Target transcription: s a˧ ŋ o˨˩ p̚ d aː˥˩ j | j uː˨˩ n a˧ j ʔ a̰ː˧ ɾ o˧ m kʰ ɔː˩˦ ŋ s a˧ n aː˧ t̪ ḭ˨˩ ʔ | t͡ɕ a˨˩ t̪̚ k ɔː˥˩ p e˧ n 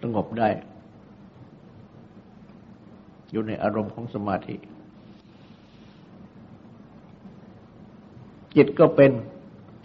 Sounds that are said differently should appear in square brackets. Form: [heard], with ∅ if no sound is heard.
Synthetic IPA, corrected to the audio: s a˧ ŋ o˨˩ p̚ d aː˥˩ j | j uː˨˩ n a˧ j ʔ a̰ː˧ ɾ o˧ m kʰ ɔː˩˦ ŋ s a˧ [m] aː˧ [t̪ʰ] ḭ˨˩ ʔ | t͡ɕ [i˨˩] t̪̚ k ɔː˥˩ p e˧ n